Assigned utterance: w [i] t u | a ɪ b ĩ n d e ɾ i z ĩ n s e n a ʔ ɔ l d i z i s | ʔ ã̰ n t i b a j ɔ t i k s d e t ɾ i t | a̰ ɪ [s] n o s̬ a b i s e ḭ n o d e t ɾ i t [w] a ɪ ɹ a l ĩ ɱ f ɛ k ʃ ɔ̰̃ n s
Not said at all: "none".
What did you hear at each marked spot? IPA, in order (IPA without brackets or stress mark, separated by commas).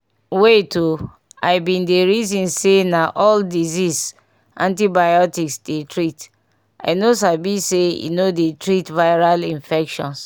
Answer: e, none, v